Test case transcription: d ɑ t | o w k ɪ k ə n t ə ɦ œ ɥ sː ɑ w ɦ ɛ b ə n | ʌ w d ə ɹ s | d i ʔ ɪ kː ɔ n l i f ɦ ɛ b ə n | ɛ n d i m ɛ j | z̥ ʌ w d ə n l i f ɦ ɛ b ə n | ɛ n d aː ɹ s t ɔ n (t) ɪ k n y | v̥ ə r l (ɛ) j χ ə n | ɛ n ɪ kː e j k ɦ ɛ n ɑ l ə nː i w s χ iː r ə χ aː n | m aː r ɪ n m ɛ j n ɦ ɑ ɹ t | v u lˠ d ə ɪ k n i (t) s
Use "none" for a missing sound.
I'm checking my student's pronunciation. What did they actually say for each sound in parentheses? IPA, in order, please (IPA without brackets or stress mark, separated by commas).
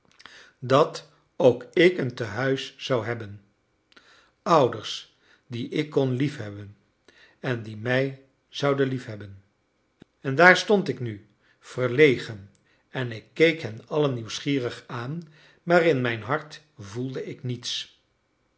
t, e, t